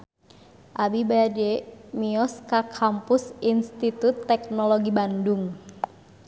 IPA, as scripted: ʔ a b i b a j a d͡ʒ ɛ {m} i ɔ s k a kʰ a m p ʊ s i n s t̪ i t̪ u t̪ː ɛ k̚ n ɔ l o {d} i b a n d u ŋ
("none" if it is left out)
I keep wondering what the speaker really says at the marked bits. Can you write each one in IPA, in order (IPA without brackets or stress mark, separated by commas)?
m, ɡ